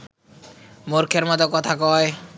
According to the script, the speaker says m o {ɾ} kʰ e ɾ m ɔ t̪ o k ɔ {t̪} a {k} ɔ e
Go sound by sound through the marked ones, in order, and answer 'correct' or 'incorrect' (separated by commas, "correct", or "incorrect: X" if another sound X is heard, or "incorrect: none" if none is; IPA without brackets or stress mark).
correct, incorrect: t̪ʰ, correct